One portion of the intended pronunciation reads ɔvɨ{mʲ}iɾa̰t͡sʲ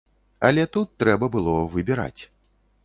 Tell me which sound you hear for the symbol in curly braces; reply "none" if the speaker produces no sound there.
bʲ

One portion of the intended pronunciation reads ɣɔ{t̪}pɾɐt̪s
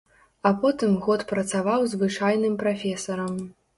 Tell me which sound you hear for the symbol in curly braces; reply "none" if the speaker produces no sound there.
t̪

